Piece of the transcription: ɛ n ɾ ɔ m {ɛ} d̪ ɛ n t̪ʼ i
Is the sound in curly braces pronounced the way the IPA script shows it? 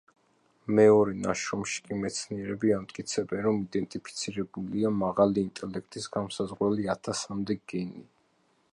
no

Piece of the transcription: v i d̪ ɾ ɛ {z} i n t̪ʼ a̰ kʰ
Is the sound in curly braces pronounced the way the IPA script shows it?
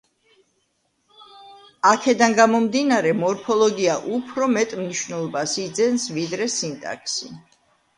no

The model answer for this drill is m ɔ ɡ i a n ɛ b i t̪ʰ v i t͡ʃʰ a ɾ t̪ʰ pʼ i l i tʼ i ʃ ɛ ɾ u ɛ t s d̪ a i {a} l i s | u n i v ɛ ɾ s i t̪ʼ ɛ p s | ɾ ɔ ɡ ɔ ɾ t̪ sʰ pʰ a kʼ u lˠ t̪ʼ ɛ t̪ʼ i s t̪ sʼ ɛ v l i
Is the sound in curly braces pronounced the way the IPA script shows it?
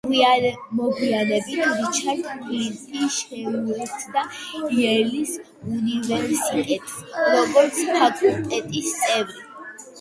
no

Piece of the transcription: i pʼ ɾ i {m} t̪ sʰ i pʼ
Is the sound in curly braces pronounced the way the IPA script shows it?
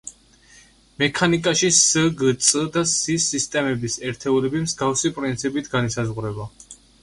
no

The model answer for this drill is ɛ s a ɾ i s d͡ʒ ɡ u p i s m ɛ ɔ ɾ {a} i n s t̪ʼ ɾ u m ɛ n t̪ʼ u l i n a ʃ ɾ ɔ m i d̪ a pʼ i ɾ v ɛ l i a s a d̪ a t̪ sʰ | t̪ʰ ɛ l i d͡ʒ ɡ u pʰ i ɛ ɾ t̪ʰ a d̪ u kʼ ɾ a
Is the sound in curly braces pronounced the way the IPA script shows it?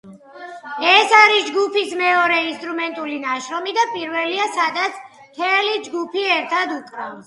no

